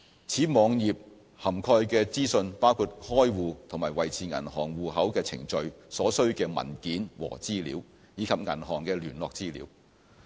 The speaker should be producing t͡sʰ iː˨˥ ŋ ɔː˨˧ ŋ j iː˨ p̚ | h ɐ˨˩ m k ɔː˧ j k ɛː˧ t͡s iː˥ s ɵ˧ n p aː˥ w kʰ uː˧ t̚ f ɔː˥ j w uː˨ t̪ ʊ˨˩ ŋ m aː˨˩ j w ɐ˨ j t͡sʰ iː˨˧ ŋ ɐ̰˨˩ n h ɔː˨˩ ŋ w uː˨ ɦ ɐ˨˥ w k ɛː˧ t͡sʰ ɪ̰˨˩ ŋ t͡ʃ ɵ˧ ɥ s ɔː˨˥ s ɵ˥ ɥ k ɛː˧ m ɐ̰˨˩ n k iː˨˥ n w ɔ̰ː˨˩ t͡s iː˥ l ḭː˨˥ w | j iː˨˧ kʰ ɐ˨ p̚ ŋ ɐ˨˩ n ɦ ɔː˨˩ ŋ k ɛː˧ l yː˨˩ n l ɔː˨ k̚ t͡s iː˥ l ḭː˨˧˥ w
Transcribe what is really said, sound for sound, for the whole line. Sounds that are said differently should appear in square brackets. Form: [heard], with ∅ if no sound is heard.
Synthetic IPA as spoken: t͡sʰ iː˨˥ [m] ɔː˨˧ ŋ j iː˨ p̚ | h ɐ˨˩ m [kʰ] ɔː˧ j k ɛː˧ t͡s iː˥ s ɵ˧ n p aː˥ w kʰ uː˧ t̚ [h] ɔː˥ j w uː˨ [t̪ʰ] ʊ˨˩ ŋ m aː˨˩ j w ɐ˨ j t͡sʰ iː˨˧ ŋ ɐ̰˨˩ n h ɔː˨˩ ŋ w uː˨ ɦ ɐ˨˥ w k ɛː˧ t͡sʰ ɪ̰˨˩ ŋ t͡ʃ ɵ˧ ɥ s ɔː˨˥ s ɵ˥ ɥ k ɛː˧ m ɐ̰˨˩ n k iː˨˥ n w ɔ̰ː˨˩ t͡s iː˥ l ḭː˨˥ w | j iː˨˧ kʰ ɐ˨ p̚ ŋ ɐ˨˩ n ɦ ɔː˨˩ ŋ k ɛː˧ l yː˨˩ n l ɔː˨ k̚ t͡s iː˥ l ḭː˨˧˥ w